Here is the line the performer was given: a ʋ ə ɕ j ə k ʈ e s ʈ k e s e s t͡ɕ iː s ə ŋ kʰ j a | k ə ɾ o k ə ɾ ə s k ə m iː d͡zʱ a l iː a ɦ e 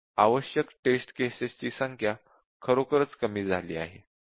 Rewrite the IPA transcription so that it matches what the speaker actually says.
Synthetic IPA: a ʋ ə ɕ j ə k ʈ e s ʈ k e s e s t͡ɕ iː s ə ŋ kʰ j a | kʰ ə ɾ o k ə ɾ ə t͡s k ə m iː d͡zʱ a l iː a ɦ e